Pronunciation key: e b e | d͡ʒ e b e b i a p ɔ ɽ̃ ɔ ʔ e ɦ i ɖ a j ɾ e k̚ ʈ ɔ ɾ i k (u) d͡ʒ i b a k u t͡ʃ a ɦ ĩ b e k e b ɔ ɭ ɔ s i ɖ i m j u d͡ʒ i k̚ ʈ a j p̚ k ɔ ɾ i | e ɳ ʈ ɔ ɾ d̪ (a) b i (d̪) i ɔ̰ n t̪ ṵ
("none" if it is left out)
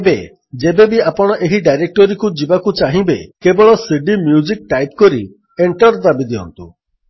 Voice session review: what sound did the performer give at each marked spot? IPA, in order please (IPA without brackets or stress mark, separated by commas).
u, a, d̪